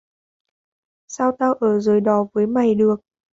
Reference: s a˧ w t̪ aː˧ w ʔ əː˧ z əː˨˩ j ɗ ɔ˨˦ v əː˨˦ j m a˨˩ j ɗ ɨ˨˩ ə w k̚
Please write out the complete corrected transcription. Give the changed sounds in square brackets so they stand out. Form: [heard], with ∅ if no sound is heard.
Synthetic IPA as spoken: s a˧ w t̪ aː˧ w ʔ [əː˧˩] z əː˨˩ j ɗ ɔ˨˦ v əː˨˦ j m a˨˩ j ɗ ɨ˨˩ ə [∅] k̚